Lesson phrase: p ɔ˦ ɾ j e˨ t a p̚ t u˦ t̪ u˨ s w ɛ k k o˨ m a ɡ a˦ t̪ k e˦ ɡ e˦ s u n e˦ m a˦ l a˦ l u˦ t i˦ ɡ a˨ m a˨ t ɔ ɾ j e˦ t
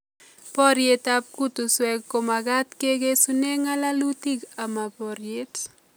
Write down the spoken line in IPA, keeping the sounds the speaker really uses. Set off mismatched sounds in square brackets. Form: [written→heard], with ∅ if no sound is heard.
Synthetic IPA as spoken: p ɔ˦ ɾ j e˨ t a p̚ [t→k] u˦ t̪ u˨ s w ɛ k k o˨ m a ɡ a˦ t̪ k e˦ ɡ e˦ s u n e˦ [m→ŋ] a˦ l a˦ l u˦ t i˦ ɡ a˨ m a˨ [t→p] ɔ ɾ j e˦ t